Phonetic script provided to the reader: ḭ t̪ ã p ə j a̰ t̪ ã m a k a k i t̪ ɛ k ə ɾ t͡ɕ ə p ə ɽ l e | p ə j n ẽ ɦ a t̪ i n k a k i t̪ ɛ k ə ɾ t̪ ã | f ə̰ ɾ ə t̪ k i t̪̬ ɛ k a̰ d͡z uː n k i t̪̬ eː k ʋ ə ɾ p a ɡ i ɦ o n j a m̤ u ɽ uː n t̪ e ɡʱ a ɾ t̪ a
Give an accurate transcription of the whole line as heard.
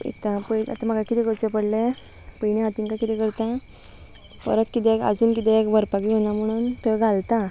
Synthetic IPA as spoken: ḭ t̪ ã p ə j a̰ t̪ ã m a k a k i t̪ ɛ k ə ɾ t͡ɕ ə p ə ɽ l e | p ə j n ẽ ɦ a t̪ i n k a k i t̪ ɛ k ə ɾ t̪ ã | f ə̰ ɾ ə t̪ k i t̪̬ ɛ k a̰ d͡z uː n k i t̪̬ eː k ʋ ə ɾ p a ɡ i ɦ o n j a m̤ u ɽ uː n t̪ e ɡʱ a l t̪ a

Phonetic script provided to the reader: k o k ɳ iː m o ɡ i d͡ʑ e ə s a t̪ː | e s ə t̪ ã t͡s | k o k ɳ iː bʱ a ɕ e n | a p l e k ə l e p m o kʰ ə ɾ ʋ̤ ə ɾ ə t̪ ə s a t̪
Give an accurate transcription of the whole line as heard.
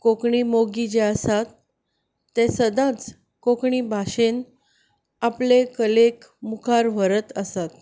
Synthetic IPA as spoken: k o k ɳ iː m o ɡ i d͡ʑ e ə s a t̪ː | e s ə d̪ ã t͡s | k o k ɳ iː bʱ a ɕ e n | a p l e k ə l e k m u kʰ a ɾ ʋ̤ ə ɾ ə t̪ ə s a t̪

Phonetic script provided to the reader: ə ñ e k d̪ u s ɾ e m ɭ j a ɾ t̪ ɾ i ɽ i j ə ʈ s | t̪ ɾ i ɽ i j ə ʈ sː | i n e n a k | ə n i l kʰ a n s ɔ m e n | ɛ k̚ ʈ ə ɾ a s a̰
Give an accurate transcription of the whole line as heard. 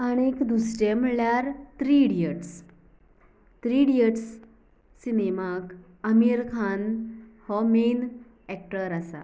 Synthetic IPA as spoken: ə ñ e k d̪ u s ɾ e m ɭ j a ɾ t̪ ɾ i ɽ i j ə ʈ s | t̪ ɾ i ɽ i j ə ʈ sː | i n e m a k | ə m i ɾ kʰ a n h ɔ m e n | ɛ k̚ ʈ ə ɾ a s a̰

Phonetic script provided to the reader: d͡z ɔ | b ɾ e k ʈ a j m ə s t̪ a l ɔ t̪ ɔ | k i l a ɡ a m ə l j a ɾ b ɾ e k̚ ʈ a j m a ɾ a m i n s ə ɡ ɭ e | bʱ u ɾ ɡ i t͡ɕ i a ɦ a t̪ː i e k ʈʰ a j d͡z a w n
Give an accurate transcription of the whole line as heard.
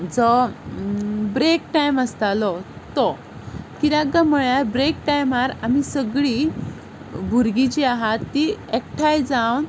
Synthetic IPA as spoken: d͡z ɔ | b ɾ e k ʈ a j m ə s t̪ a l ɔ t̪ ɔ | k i ɾ a ɡ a m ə ɭ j a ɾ b ɾ e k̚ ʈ a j m a ɾ a m i s ə ɡ ɭ i | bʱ u ɾ ɡ i t͡ɕ i a ɦ a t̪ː i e k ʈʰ a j d͡z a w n

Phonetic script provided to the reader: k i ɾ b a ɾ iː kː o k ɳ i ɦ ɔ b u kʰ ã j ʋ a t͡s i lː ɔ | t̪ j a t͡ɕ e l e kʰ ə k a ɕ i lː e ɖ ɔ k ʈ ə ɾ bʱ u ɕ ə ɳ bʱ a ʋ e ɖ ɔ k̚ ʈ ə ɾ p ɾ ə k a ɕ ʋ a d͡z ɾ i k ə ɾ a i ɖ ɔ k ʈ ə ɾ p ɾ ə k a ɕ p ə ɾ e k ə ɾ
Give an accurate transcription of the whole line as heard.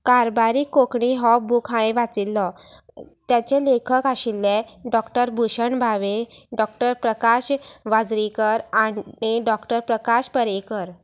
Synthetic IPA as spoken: k a ɾ b a ɾ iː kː o k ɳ i ɦ ɔ b u kʰ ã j ʋ a t͡s i lː ɔ | t̪ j a t͡ɕ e l e kʰ ə k a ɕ i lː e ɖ ɔ k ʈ ə ɾ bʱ u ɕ ə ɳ bʱ a ʋ e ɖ ɔ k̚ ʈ ə ɾ p ɾ ə k a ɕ ʋ a d͡z ɾ i k ə ɾ a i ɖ ɔ k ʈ ə ɾ p ɾ ə k a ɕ p ə ɾ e k ə ɾ

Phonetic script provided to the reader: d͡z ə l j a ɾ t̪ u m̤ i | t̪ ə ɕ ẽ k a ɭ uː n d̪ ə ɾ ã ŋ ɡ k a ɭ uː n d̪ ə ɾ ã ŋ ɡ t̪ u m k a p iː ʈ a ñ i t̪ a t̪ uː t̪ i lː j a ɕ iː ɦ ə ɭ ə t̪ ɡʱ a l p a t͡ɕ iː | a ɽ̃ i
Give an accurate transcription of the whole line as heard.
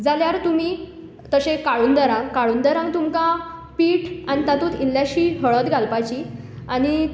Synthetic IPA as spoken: d͡z a l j a ɾ t̪ u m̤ i | t̪ ə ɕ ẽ k a ɭ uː n d̪ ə ɾ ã ŋ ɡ k a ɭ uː n d̪ ə ɾ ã ŋ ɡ t̪ u m k a p iː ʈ a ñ i t̪ a t̪ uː t̪ i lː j a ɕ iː ɦ ə ɭ ə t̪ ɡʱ a l p a t͡ɕ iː | a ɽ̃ i

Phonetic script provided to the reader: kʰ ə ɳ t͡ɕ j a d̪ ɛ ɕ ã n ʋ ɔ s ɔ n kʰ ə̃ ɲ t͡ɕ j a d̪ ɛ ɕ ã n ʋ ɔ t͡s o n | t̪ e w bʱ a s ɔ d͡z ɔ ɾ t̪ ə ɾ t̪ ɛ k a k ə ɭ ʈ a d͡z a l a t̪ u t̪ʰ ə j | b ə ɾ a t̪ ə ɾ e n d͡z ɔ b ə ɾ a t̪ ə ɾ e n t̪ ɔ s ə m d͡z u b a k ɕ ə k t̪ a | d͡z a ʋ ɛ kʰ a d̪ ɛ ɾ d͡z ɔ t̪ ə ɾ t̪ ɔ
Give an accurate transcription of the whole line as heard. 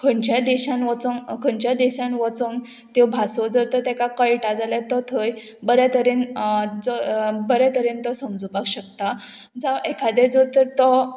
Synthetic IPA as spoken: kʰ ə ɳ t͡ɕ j a d̪ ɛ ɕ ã n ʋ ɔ t͡s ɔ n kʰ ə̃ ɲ t͡ɕ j a d̪ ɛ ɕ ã n ʋ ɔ t͡s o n | t̪ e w bʱ a s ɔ d͡z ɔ ɾ t̪ ə ɾ t̪ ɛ k a k ə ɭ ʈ a d͡z a l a t̪ ɔ t̪ʰ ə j | b ə ɾ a t̪ ə ɾ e n d͡z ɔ b ə ɾ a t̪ ə ɾ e n t̪ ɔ s ə m d͡z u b a k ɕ ə k t̪ a | d͡z a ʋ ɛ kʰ a d̪ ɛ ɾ d͡z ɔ t̪ ə ɾ t̪ ɔ

